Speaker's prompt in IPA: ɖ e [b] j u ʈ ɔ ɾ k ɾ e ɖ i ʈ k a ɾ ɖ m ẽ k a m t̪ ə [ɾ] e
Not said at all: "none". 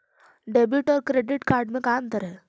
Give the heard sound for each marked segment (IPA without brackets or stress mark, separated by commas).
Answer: b, ɾ